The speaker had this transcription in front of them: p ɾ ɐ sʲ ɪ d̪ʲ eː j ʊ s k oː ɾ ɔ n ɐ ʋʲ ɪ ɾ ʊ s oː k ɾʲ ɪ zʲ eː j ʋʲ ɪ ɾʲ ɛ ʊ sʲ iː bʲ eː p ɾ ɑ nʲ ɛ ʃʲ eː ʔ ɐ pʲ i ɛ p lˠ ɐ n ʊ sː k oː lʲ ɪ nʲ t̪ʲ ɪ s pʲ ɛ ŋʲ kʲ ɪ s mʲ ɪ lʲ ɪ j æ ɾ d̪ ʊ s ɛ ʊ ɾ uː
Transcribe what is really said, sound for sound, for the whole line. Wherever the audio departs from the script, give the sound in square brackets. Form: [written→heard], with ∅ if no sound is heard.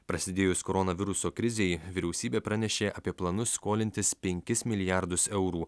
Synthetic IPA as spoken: p ɾ ɐ sʲ ɪ d̪ʲ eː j ʊ s k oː ɾ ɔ n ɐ ʋʲ ɪ ɾ ʊ s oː k ɾʲ ɪ zʲ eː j ʋʲ ɪ ɾʲ ɛ ʊ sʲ iː bʲ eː p ɾ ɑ nʲ ɛ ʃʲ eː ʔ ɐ pʲ i ɛ p lˠ ɐ n ʊ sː k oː lʲ ɪ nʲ t̪ʲ ɪ s pʲ ɛ ŋʲ kʲ ɪ s mʲ ɪ lʲ ɪ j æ ɾ d̪ ʊ s ɛ ʊ ɾ uː

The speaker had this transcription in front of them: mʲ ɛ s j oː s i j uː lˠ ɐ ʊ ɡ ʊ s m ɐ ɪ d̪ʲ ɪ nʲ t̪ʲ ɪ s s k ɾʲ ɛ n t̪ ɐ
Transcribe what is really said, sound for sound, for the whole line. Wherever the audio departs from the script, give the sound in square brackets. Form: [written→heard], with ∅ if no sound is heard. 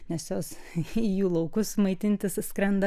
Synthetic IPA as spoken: [mʲ→nʲ] ɛ s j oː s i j uː lˠ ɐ ʊ [ɡ→k] ʊ s m ɐ ɪ [d̪ʲ→t̪ʲ] ɪ nʲ t̪ʲ ɪ s s k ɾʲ ɛ n [t̪→d̪] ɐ

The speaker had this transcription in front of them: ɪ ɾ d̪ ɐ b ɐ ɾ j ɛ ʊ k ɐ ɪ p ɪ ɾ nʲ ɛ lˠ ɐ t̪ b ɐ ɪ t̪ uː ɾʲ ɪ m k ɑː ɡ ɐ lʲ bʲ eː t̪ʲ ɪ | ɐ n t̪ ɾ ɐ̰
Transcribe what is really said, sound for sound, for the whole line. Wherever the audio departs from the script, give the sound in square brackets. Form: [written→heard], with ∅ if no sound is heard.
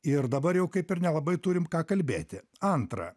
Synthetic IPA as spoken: ɪ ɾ d̪ ɐ b ɐ ɾ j ɛ ʊ k ɐ ɪ p ɪ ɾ nʲ ɛ lˠ ɐ [t̪→∅] b ɐ ɪ t̪ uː ɾʲ ɪ m k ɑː [ɡ→k] ɐ lʲ bʲ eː t̪ʲ ɪ | ɐ n t̪ ɾ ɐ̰

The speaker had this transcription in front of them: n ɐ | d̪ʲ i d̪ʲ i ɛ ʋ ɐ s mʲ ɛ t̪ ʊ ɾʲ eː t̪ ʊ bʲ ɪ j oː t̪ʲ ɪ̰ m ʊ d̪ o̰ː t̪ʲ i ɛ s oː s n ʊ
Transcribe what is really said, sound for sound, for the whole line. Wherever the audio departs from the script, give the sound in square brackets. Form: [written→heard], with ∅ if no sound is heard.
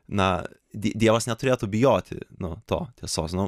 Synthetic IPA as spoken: n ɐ | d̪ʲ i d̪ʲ i ɛ ʋ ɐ s [mʲ→nʲ] ɛ t̪ ʊ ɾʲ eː t̪ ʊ bʲ ɪ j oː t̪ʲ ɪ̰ [m→n] ʊ [d̪→t̪] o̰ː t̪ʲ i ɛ s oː s n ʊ

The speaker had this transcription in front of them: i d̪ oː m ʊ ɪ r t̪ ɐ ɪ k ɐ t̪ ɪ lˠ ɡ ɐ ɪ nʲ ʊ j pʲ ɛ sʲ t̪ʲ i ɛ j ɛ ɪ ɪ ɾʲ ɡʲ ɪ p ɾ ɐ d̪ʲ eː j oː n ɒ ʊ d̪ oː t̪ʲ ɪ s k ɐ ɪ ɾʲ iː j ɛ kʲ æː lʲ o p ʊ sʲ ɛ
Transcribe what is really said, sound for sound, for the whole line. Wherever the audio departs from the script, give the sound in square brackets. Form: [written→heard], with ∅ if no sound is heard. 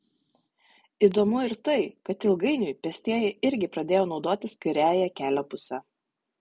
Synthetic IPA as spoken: i d̪ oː m ʊ ɪ [r→ɾ] t̪ ɐ ɪ k ɐ t̪ ɪ lˠ ɡ ɐ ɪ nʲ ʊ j pʲ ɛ sʲ t̪ʲ i ɛ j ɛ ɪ ɪ ɾʲ ɡʲ ɪ p ɾ ɐ d̪ʲ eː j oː n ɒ ʊ d̪ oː t̪ʲ ɪ s k ɐ ɪ ɾʲ [iː→æː] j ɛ kʲ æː lʲ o p ʊ sʲ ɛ

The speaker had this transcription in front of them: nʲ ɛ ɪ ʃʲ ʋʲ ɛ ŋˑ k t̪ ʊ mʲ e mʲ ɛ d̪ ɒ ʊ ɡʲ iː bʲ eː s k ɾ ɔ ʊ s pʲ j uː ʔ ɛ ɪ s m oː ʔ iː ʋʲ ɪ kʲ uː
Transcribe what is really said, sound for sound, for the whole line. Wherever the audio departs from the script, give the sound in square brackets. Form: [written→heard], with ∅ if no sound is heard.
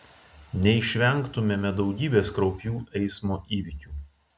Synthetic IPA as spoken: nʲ ɛ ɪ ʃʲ ʋʲ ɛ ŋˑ k t̪ ʊ mʲ e mʲ ɛ d̪ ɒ ʊ ɡʲ iː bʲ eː s k ɾ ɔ ʊ [s→∅] pʲ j uː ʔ ɛ ɪ s m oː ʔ iː ʋʲ ɪ kʲ uː

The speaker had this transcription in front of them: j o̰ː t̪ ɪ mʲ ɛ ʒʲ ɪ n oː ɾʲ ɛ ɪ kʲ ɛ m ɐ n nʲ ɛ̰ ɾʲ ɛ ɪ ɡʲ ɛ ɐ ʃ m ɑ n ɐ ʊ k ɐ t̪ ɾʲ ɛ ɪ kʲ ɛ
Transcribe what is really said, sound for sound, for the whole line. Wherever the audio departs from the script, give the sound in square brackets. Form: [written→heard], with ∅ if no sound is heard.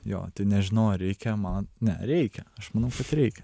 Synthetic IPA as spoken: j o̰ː t̪ ɪ [mʲ→nʲ] ɛ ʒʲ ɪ n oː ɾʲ ɛ ɪ kʲ ɛ m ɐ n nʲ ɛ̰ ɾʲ ɛ ɪ [ɡʲ→kʲ] ɛ ɐ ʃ m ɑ n ɐ ʊ k ɐ t̪ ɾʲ ɛ ɪ kʲ ɛ

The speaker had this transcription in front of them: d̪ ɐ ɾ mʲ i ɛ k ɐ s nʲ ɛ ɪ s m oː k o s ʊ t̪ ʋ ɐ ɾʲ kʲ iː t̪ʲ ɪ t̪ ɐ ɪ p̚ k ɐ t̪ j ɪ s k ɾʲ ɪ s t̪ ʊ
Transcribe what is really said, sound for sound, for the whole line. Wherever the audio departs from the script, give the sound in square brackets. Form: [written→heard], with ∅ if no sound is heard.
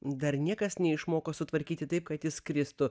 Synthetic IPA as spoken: d̪ ɐ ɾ [mʲ→nʲ] i ɛ k ɐ s nʲ ɛ ɪ [s→ʃ] m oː k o s ʊ t̪ ʋ ɐ ɾʲ kʲ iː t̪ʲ ɪ t̪ ɐ ɪ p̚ k ɐ t̪ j ɪ s k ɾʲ ɪ s t̪ ʊ

